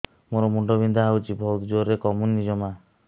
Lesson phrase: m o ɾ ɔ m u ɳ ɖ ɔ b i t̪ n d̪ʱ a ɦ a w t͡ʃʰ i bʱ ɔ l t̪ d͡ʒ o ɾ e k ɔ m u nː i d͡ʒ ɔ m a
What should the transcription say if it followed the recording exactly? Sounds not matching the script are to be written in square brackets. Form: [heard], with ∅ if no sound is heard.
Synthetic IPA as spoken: m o ɾ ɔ m u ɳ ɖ ɔ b i [∅] n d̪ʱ a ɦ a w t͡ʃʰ i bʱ ɔ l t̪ d͡ʒ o ɾ e k ɔ m u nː i d͡ʒ ɔ m a